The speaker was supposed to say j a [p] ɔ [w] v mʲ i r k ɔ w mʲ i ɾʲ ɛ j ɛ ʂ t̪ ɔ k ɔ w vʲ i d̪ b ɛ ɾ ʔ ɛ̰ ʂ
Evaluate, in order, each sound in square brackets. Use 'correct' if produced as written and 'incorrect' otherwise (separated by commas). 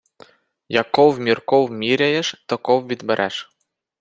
incorrect, correct